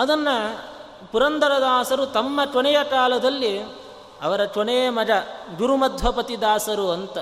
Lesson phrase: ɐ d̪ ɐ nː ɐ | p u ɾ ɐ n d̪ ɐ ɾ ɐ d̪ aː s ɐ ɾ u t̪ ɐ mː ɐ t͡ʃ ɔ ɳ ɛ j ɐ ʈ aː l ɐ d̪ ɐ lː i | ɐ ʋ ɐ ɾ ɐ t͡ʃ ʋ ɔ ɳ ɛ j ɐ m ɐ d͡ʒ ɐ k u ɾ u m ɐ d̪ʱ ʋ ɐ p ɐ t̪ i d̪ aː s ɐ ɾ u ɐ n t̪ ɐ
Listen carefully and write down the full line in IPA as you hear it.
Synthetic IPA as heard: ɐ d̪ ɐ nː ɐ | p u ɾ ɐ n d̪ ɐ ɾ ɐ d̪ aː s ɐ ɾ u t̪ ɐ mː ɐ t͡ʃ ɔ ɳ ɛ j ɐ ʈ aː l ɐ d̪ ɐ lː i | ɐ ʋ ɐ ɾ ɐ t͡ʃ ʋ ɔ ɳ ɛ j ɐ m ɐ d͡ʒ ɐ ɡ u ɾ u m ɐ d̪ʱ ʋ ɐ p ɐ t̪ i d̪ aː s ɐ ɾ u ɐ n t̪ ɐ